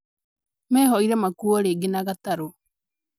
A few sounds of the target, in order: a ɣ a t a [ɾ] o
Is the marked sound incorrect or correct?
correct